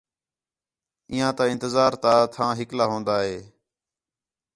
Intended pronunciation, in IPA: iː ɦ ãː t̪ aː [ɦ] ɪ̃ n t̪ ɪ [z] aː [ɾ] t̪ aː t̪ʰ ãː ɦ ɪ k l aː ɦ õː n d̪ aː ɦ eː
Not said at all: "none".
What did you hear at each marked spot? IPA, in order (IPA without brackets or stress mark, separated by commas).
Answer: none, z, ɾ